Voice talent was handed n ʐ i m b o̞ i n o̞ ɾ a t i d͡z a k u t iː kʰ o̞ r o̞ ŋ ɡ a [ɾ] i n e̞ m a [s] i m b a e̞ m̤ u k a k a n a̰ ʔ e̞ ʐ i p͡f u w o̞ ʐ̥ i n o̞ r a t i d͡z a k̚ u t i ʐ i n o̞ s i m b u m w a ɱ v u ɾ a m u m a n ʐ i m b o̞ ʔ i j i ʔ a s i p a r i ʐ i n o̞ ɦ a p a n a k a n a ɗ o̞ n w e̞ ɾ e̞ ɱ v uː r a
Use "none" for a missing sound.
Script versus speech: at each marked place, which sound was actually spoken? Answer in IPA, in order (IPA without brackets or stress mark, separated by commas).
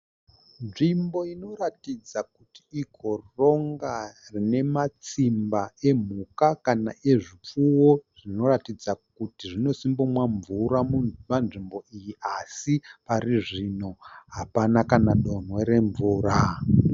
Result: r, t͡s